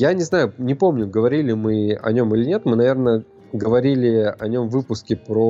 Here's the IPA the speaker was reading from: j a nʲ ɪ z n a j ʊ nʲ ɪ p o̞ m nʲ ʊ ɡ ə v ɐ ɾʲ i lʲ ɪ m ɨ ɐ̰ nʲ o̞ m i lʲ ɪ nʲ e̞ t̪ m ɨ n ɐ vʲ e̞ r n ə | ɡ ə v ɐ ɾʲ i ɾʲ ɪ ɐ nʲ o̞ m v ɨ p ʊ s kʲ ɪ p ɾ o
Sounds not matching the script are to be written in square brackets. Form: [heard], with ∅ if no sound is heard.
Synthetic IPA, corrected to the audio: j a nʲ ɪ z n a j ʊ nʲ ɪ p o̞ m nʲ ʊ ɡ ə v ɐ ɾʲ i lʲ ɪ m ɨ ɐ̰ nʲ o̞ m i lʲ ɪ nʲ e̞ t̪ m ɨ n ɐ vʲ e̞ r n ə | ɡ ə v ɐ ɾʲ i [lʲ] ɪ ɐ nʲ o̞ m v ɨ p ʊ s kʲ ɪ p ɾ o